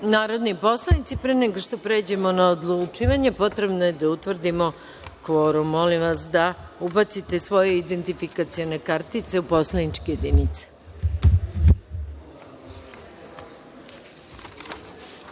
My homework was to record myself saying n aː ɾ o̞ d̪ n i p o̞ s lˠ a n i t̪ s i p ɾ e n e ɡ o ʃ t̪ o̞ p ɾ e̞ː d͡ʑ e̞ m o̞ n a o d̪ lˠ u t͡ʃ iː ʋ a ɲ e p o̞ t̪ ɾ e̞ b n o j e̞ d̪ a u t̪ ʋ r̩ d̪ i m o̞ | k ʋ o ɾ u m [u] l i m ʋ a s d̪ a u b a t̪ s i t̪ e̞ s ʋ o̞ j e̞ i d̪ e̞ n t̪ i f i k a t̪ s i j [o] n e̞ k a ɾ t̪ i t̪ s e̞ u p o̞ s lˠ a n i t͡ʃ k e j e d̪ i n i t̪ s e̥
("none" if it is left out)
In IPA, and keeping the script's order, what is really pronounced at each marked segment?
o, o

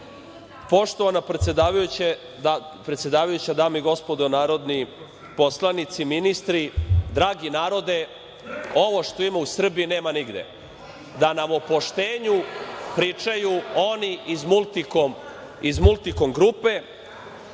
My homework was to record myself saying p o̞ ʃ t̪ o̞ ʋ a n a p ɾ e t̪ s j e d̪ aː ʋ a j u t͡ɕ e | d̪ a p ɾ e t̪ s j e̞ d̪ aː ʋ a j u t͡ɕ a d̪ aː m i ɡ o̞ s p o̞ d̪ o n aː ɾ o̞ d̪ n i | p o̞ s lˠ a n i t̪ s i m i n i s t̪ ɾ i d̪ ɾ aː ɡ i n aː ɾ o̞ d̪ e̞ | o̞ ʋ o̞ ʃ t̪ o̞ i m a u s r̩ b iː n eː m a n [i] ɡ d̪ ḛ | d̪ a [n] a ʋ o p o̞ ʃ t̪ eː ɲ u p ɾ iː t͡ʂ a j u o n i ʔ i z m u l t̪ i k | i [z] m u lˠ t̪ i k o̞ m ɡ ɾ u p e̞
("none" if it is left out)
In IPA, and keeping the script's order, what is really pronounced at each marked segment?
i, n, z

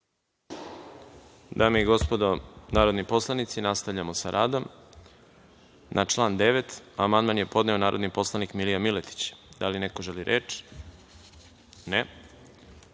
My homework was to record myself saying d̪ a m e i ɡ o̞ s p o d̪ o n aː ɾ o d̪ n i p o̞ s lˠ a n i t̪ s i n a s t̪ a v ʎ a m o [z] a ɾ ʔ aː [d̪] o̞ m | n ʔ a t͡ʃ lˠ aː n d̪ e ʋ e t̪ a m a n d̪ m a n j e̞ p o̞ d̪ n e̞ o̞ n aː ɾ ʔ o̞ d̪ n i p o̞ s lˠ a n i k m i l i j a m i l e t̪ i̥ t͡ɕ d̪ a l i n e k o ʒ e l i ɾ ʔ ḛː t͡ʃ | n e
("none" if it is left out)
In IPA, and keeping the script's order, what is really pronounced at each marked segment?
s, d̪

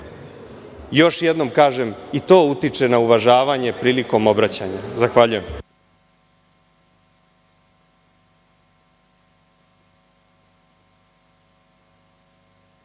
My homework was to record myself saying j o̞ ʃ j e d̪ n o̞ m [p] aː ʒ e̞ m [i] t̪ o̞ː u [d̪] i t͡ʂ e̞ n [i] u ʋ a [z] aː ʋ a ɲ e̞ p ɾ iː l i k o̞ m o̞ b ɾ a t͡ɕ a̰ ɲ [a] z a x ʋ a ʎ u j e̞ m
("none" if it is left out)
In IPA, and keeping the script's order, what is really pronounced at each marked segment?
k, i, t̪, a, ʒ, a

